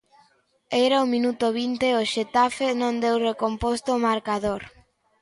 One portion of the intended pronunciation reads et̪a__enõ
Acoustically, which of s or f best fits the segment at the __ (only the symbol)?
f